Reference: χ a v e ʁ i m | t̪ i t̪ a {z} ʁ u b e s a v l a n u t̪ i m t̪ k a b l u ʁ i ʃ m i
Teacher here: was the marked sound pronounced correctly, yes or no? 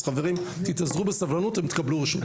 yes